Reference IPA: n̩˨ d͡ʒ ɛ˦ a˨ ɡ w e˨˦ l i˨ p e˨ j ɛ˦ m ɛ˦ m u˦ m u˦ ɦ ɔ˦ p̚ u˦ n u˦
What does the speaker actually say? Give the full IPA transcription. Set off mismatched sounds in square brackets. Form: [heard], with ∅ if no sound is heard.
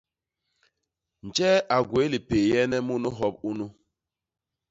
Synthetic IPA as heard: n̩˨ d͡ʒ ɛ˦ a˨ ɡ w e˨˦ l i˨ p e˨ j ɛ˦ [n] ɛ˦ m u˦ [n] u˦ ɦ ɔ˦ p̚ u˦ n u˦